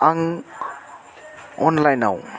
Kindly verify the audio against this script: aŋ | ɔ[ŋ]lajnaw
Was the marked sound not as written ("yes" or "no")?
yes